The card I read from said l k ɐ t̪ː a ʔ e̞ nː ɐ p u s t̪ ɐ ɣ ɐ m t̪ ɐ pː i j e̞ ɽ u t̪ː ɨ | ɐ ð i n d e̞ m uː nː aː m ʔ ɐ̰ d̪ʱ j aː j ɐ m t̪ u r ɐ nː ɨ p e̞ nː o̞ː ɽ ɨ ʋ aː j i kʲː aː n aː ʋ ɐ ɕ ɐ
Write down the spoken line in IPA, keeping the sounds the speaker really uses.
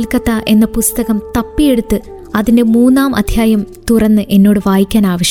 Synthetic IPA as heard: l k ɐ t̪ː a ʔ e̞ nː ɐ p u s t̪ ɐ ɣ ɐ m t̪ ɐ pː i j e̞ ɽ u t̪ː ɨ | ɐ ð i n d e̞ m uː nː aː m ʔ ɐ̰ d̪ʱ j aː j ɐ m t̪ u r ɐ nː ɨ ʔ e̞ nː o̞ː ɽ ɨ ʋ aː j i kʲː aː n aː ʋ ɐ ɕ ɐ